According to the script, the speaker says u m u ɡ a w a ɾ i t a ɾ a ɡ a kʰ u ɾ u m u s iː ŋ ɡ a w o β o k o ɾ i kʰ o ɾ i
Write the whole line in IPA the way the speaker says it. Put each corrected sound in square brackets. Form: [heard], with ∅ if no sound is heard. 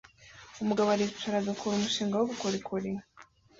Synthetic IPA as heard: u m u ɡ a [β] a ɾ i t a ɾ a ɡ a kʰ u ɾ u m u [ʃ] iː ŋ ɡ a w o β [u] k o ɾ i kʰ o ɾ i